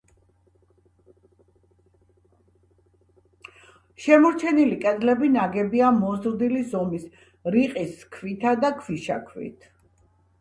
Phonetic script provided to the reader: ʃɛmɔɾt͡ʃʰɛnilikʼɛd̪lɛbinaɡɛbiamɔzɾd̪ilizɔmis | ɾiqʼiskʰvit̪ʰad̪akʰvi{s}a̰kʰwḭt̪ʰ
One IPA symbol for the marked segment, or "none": ʃ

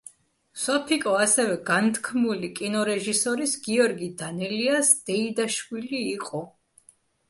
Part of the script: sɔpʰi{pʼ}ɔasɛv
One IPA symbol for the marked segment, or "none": kʼ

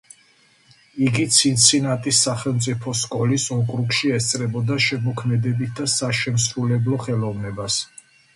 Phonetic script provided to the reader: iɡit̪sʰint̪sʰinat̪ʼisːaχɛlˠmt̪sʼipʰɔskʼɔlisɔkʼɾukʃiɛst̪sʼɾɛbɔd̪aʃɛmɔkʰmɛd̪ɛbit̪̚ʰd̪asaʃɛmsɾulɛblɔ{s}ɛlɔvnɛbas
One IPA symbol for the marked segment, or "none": χ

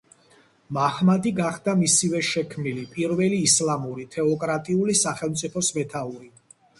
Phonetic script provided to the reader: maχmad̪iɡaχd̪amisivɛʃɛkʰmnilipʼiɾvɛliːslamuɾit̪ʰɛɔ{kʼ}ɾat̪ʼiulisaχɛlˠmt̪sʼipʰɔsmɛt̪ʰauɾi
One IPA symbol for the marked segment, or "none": kʼ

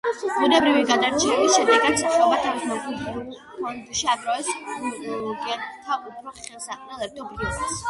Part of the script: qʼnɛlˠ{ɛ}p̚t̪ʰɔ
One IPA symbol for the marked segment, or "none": ɛ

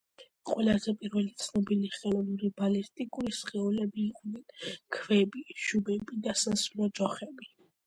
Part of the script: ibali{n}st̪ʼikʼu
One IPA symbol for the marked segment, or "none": none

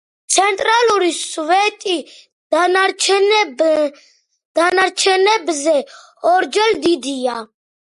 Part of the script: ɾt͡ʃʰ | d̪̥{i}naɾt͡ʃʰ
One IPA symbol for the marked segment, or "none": a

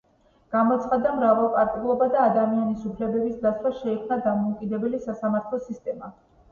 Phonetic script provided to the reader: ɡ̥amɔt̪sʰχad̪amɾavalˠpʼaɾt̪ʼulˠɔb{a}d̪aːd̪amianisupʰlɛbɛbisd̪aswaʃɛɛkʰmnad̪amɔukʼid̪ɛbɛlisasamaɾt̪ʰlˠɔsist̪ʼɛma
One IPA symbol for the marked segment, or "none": a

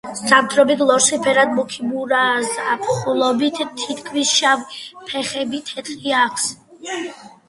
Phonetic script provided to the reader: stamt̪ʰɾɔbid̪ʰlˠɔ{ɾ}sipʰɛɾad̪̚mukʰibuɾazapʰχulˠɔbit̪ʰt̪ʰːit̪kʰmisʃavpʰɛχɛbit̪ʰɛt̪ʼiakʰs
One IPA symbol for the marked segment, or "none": ɾ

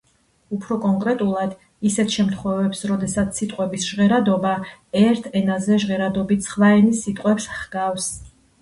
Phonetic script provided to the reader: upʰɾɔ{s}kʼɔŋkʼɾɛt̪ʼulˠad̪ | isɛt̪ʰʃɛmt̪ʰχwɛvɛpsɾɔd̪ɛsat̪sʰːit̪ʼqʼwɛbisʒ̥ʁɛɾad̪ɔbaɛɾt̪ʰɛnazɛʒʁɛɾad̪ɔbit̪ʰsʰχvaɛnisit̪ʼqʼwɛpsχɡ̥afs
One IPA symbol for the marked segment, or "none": none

